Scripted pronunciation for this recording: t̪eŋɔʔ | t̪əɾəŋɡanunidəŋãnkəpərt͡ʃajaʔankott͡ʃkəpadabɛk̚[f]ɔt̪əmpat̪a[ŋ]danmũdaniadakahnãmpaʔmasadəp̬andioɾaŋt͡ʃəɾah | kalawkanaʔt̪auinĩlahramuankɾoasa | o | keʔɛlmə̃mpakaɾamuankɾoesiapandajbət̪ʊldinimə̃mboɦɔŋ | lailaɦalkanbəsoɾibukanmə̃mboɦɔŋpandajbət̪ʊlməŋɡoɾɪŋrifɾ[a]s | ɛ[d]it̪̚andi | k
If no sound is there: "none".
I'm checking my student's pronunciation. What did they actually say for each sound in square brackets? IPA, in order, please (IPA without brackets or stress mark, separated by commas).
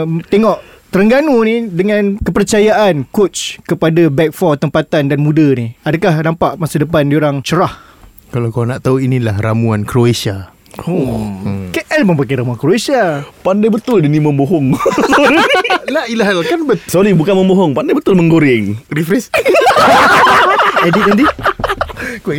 f, n, ɛ, d